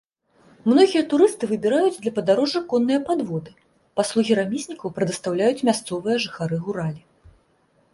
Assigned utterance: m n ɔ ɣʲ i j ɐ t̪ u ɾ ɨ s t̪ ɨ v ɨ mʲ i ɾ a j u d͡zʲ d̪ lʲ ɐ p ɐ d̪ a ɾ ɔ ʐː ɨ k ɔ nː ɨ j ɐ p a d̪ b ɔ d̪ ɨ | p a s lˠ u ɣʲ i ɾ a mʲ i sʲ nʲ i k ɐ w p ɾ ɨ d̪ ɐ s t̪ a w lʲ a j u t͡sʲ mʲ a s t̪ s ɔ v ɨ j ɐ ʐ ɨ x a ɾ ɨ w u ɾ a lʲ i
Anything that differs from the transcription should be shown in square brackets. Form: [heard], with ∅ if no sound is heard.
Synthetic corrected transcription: m n ɔ ɣʲ i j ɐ t̪ u ɾ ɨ s t̪ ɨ v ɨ [bʲ] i ɾ a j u d͡zʲ d̪ lʲ ɐ p ɐ d̪ a ɾ ɔ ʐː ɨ k ɔ nː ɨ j ɐ p a d̪ [v] ɔ d̪ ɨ | p a s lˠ u ɣʲ i ɾ a mʲ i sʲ nʲ i k ɐ w p ɾ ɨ d̪ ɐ s t̪ a w lʲ a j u t͡sʲ mʲ a s t̪ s ɔ v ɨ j ɐ ʐ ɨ x a ɾ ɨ [ɣ] u ɾ a lʲ i

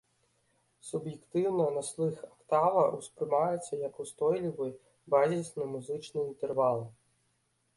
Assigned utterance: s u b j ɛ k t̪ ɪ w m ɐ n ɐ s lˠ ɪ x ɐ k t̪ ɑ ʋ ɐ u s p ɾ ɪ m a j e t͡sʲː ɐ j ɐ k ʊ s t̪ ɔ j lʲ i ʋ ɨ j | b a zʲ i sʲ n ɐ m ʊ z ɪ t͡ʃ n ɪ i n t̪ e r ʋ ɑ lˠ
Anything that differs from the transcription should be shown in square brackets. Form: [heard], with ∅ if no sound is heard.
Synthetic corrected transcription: s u b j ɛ k t̪ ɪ w [n] ɐ n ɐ s lˠ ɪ x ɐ k t̪ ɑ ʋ ɐ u s p ɾ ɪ m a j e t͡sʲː ɐ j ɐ k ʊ s t̪ ɔ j lʲ i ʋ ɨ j | b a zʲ i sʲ n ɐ m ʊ z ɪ t͡ʃ n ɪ i n t̪ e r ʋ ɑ lˠ

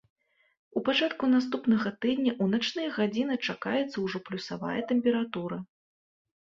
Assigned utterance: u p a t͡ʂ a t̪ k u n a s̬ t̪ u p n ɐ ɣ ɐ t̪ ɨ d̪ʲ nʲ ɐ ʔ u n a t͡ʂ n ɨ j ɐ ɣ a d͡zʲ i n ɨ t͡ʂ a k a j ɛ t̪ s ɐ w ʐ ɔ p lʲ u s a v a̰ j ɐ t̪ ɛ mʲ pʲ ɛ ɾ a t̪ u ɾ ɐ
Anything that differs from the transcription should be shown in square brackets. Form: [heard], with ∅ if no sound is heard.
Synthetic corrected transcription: u p a t͡ʂ a t̪ k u n a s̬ t̪ u p n ɐ ɣ ɐ t̪ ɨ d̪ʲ nʲ ɐ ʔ u n a t͡ʂ n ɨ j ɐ ɣ a d͡zʲ i n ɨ t͡ʂ a k a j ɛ t̪ s ɐ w ʐ ɔ p lʲ u s a v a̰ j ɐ t̪ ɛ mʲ pʲ ɛ ɾ a t̪ u ɾ ɐ

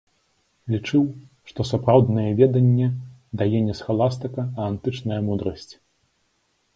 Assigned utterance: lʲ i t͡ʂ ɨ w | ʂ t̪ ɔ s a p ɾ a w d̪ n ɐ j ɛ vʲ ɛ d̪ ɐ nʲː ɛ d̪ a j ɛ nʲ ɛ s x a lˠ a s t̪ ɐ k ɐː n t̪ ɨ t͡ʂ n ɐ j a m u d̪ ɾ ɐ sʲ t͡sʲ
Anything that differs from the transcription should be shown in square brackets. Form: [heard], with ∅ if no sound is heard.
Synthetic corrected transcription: lʲ i t͡ʂ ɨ w | ʂ t̪ ɔ s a p ɾ a w d̪ n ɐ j ɛ vʲ ɛ d̪ ɐ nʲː ɛ d̪ a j ɛ nʲ ɛ s x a lˠ a s t̪ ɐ k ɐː n t̪ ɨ t͡ʂ n ɐ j [ɐ] m u d̪ ɾ ɐ sʲ t͡sʲ

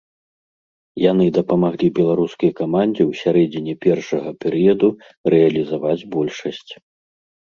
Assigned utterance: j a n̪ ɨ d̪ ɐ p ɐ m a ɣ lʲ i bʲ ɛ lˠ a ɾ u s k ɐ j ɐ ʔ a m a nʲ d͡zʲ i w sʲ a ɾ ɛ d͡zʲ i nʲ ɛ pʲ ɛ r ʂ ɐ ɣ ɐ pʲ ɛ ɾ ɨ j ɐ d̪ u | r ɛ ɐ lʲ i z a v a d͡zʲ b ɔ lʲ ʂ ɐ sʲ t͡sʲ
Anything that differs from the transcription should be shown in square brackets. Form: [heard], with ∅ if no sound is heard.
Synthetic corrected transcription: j a n̪ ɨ d̪ ɐ p ɐ m a ɣ lʲ i bʲ ɛ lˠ a ɾ u s k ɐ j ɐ [k] a m a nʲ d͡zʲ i w sʲ a ɾ ɛ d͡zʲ i nʲ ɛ pʲ ɛ r ʂ ɐ ɣ ɐ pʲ ɛ ɾ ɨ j ɐ d̪ u | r ɛ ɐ lʲ i z a v a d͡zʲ b ɔ lʲ ʂ ɐ sʲ t͡sʲ

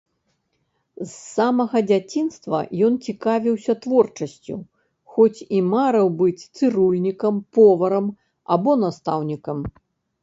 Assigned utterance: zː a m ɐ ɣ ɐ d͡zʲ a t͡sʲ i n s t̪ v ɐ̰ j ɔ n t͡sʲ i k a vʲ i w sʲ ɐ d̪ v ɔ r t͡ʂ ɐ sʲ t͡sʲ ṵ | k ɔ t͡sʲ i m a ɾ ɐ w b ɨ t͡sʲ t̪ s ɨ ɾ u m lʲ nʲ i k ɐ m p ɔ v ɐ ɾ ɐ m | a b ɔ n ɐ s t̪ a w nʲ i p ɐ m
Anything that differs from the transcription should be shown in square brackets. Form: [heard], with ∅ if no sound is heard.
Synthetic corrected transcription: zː a m ɐ ɣ ɐ d͡zʲ a t͡sʲ i n s t̪ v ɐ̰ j ɔ n t͡sʲ i k a vʲ i w sʲ ɐ [t̪] v ɔ r t͡ʂ ɐ sʲ t͡sʲ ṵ | [x] ɔ t͡sʲ i m a ɾ ɐ w b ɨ t͡sʲ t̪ s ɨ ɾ u [∅] lʲ nʲ i k ɐ m p ɔ v ɐ ɾ ɐ m | a b ɔ n [a] s t̪ a w nʲ i [k] ɐ m

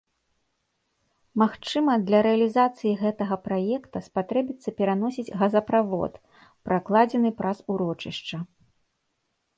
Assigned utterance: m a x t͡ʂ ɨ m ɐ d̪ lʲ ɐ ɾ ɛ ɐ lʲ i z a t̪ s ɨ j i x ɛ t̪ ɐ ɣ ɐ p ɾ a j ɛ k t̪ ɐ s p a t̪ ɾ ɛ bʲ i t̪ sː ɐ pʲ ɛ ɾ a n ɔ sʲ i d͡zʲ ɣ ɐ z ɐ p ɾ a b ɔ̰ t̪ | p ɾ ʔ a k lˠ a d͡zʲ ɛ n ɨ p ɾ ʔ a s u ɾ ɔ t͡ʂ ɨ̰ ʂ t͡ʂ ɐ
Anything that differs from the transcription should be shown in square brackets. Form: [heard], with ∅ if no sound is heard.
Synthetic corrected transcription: m a x t͡ʂ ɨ m ɐ d̪ lʲ ɐ ɾ ɛ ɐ lʲ i z a t̪ s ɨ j i [ɣ] ɛ t̪ ɐ ɣ ɐ p ɾ a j ɛ k t̪ ɐ s p a t̪ ɾ ɛ bʲ i t̪ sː ɐ pʲ ɛ ɾ a n ɔ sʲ i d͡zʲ ɣ ɐ z ɐ p ɾ a [v] ɔ̰ t̪ | p ɾ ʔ a k lˠ a d͡zʲ ɛ n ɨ p ɾ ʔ a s u ɾ ɔ t͡ʂ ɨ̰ ʂ t͡ʂ ɐ

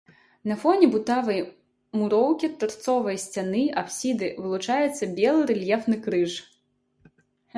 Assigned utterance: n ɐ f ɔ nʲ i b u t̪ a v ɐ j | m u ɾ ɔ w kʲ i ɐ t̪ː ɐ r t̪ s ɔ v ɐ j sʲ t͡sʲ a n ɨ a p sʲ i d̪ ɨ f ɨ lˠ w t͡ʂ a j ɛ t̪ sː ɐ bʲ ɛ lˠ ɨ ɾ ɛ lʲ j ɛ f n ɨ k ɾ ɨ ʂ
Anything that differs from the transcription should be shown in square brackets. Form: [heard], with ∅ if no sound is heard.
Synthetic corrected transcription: n ɐ f ɔ nʲ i b u t̪ a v ɐ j | m u ɾ ɔ w kʲ i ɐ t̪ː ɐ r t̪ s ɔ v ɐ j sʲ t͡sʲ a n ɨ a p sʲ i d̪ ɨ [v] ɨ lˠ [u] t͡ʂ a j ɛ t̪ sː ɐ bʲ ɛ lˠ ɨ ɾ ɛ lʲ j ɛ f n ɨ k ɾ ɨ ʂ

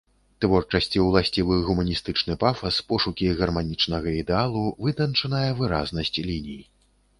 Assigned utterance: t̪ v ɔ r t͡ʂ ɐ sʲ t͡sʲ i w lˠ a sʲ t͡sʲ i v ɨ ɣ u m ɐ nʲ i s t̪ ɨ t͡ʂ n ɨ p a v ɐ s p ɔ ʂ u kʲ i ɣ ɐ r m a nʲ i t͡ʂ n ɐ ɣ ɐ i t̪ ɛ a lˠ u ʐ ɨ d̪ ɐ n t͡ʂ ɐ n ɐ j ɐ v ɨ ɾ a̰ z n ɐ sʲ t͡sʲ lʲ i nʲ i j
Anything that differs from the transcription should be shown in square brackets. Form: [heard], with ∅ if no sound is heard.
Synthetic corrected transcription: t̪ v ɔ r t͡ʂ ɐ sʲ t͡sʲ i w lˠ a sʲ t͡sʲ i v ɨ ɣ u m ɐ nʲ i s t̪ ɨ t͡ʂ n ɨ p a [f] ɐ s p ɔ ʂ u kʲ i ɣ ɐ r m a nʲ i t͡ʂ n ɐ ɣ ɐ i [d̪] ɛ a lˠ u [v] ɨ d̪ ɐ n t͡ʂ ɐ n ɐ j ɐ v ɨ ɾ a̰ z n ɐ sʲ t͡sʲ lʲ i nʲ i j

